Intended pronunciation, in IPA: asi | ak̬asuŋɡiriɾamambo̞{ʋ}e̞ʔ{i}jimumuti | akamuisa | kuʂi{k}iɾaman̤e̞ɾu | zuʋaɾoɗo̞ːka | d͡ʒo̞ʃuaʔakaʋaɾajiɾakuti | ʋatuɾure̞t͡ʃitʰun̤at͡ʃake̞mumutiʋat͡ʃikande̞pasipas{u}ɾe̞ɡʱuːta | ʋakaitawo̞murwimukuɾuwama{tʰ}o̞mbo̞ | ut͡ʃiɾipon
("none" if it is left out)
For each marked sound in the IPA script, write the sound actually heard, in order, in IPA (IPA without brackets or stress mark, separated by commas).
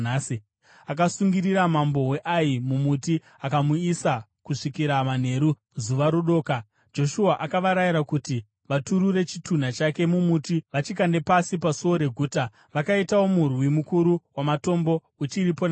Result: w, a, k, o, t